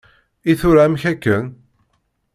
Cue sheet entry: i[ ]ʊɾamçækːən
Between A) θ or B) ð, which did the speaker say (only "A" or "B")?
A